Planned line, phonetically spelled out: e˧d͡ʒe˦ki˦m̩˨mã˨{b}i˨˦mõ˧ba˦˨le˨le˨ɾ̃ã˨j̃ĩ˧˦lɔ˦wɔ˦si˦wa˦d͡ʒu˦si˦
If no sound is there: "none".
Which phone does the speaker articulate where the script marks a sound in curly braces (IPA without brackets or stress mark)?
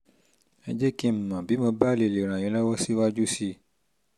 b